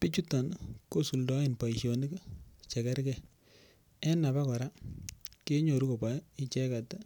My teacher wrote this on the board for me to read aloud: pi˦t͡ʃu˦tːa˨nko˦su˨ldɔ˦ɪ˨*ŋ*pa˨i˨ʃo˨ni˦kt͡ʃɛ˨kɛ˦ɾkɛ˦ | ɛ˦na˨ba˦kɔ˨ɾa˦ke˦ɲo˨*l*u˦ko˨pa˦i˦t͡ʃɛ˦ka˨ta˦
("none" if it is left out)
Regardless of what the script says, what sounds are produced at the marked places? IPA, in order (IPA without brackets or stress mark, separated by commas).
n, ɾ